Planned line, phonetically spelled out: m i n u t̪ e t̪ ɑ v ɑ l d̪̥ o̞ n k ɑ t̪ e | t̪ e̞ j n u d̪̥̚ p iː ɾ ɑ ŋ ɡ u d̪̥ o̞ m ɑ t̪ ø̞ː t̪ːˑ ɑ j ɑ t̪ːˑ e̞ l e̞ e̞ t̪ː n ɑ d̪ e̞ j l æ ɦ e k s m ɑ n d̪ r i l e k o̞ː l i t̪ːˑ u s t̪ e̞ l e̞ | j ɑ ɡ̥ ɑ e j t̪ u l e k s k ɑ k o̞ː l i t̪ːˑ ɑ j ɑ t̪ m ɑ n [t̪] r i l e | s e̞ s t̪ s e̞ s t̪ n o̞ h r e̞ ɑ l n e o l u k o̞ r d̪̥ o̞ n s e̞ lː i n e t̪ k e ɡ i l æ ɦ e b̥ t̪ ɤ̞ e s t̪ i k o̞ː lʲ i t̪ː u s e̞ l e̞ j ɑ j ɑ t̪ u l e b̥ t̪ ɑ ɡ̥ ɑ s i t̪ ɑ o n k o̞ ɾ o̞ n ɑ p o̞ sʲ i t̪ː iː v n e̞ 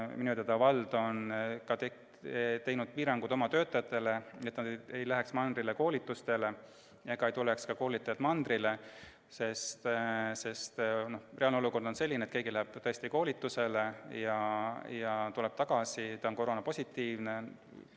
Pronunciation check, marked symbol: incorrect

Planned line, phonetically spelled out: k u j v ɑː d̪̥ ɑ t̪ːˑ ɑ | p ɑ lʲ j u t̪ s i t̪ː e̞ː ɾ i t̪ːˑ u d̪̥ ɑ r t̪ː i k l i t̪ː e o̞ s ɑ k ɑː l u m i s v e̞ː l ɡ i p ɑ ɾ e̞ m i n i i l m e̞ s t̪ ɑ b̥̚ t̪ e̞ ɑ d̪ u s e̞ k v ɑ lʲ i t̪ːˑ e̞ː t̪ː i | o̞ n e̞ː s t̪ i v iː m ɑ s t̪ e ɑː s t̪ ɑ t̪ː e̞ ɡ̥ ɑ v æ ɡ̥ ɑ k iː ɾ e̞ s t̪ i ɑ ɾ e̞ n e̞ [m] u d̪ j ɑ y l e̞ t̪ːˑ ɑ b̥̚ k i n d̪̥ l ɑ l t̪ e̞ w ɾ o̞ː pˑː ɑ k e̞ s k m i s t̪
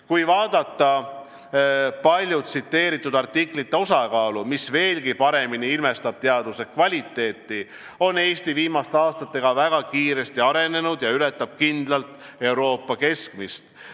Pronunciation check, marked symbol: incorrect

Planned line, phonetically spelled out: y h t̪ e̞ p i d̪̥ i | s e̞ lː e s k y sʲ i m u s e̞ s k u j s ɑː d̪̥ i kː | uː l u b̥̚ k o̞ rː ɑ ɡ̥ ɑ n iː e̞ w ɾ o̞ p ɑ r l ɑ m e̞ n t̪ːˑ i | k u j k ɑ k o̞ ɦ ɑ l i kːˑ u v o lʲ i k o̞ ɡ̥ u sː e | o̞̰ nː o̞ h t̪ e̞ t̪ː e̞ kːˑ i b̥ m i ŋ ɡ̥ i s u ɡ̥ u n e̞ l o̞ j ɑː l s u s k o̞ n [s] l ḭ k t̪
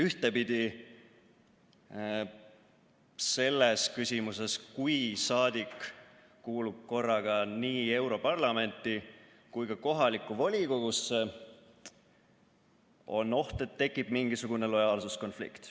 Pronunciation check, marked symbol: incorrect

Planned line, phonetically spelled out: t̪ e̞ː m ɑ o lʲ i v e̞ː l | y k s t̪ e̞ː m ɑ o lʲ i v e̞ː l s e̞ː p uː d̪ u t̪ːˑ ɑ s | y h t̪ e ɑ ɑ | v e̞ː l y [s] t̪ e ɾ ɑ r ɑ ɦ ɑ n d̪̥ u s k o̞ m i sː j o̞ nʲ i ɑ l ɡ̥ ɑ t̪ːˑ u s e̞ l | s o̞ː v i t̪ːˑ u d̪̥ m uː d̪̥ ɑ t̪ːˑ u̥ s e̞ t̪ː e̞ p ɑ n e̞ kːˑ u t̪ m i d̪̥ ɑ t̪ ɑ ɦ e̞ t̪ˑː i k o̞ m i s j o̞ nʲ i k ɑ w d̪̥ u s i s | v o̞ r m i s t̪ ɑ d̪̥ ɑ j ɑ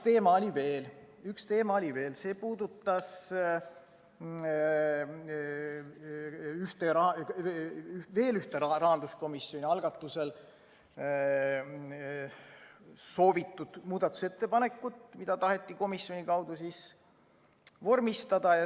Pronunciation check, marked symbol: incorrect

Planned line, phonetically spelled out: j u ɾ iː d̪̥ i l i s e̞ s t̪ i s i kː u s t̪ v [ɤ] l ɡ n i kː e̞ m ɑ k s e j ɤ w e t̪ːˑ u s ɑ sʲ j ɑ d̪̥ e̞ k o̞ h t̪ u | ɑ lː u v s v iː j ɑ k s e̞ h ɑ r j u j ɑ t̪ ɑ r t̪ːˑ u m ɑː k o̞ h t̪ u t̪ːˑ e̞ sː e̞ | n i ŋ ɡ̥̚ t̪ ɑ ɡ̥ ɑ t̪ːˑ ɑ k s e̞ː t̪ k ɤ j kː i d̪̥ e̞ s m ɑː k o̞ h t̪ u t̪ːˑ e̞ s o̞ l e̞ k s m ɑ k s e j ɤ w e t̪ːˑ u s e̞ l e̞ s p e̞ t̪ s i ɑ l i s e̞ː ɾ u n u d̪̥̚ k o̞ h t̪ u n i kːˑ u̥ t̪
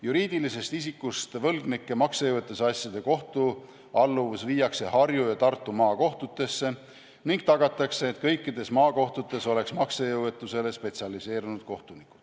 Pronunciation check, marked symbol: correct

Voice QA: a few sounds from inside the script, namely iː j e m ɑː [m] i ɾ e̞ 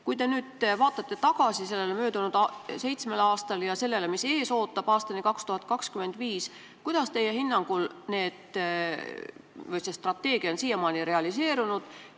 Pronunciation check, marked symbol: incorrect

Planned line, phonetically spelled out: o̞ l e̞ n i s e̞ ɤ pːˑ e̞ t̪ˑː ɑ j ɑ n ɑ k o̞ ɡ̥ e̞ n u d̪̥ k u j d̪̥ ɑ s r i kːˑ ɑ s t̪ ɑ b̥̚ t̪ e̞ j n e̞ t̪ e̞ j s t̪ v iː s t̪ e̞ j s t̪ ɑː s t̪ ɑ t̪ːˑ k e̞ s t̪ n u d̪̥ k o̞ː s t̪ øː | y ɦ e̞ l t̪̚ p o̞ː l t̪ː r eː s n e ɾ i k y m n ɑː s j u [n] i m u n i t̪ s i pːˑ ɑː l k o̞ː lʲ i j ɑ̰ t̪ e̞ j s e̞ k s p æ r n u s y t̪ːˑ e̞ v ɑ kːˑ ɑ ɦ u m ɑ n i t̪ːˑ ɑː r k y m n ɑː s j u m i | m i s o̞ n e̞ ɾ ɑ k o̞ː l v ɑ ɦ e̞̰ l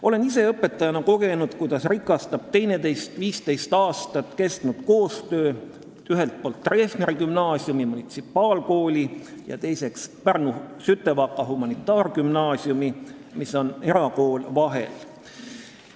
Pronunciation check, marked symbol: incorrect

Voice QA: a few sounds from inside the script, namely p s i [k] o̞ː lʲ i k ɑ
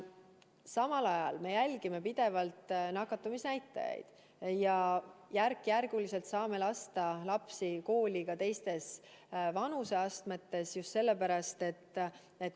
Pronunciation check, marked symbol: correct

